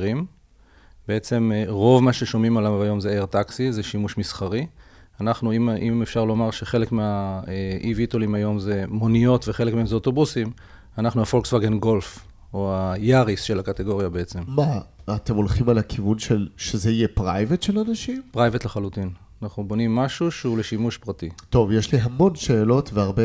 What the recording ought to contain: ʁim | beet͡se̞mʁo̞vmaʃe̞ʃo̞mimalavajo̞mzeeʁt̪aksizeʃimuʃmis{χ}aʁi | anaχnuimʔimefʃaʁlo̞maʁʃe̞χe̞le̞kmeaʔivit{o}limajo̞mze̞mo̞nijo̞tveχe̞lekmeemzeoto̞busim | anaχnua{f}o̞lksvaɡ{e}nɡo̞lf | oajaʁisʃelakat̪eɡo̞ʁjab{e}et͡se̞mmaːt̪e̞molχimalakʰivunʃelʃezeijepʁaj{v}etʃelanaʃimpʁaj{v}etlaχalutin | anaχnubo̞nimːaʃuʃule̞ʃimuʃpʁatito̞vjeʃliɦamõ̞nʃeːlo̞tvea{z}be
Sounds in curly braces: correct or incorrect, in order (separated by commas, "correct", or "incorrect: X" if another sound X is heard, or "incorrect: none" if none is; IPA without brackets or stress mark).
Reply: correct, correct, correct, correct, correct, correct, correct, incorrect: ʁ